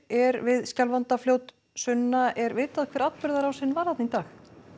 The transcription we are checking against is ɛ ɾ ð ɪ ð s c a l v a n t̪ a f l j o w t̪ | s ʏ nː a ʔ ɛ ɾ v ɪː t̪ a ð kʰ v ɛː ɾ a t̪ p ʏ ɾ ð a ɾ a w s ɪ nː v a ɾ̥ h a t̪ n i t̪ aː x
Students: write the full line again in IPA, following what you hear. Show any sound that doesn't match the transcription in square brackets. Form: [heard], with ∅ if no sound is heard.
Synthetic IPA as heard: ɛ ɾ [v] ɪ ð s c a l v a n t̪ a f l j o w t̪ | s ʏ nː a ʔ ɛ ɾ v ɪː t̪ a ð kʰ v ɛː ɾ a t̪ p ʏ ɾ ð a ɾ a w s ɪ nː v a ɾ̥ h a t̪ n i t̪ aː x